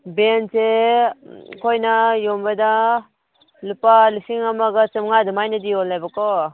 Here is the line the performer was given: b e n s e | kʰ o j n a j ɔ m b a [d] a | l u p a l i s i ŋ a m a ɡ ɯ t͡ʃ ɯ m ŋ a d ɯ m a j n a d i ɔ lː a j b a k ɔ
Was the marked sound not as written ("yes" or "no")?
no